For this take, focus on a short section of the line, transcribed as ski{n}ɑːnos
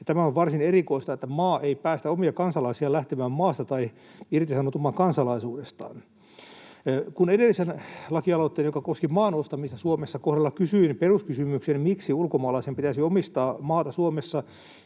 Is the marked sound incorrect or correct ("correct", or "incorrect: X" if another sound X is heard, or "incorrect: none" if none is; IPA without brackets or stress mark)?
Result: incorrect: m